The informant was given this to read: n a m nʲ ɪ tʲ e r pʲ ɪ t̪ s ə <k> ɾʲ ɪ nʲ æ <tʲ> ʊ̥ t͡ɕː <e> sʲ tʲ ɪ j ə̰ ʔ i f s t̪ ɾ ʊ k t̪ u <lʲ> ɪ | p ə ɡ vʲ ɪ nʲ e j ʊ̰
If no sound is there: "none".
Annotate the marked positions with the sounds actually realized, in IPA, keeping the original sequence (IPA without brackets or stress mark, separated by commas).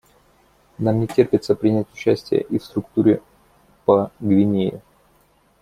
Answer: p, tʲ, æ, ɾʲ